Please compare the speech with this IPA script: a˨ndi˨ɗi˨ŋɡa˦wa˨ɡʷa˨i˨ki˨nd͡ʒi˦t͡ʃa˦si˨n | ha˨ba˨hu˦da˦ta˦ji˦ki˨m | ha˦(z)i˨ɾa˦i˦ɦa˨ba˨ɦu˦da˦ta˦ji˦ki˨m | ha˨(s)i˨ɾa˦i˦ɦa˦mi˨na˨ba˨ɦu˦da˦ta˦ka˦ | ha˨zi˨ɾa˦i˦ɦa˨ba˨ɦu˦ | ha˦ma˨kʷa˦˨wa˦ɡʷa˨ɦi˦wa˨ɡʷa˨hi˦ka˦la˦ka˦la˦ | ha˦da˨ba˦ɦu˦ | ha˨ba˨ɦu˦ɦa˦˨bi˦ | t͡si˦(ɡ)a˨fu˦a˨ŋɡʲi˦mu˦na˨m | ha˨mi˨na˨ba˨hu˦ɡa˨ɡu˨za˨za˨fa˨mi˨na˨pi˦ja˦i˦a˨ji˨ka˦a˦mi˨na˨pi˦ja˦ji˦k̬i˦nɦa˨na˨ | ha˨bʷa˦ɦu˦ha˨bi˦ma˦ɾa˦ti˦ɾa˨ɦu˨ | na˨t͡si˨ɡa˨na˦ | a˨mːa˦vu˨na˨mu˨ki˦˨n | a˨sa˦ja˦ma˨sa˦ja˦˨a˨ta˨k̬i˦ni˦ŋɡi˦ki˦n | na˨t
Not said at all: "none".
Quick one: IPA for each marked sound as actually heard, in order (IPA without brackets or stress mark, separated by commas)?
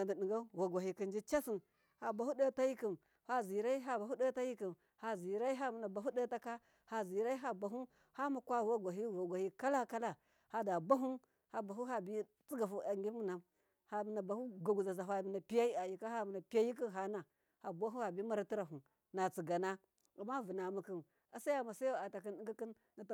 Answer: z, z, ɡ